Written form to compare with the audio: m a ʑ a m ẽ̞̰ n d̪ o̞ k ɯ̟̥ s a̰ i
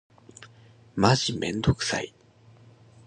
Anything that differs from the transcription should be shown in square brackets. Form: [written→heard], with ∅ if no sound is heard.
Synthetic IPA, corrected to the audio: m a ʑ [a→i] m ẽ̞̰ n d̪ o̞ k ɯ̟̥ s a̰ i